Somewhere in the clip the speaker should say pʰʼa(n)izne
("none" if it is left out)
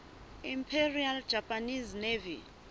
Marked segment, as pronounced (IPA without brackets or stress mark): n